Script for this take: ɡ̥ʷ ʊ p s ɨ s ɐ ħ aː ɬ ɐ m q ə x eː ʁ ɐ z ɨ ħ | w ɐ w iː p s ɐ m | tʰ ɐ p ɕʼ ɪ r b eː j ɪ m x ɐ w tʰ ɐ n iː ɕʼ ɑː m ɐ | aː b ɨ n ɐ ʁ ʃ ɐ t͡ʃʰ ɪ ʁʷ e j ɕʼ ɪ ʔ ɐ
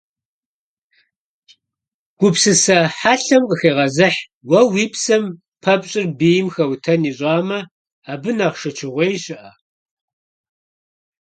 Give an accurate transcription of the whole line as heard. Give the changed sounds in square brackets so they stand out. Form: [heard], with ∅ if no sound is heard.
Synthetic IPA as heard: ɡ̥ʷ ʊ p s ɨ s ɐ ħ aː ɬ ɐ m q ə x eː ʁ ɐ z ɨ ħ | w ɐ w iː p s ɐ m | [pʰ] ɐ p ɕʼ ɪ r b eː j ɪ m x ɐ w tʰ ɐ n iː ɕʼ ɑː m ɐ | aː b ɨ n ɐ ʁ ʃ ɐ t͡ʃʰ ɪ ʁʷ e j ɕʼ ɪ ʔ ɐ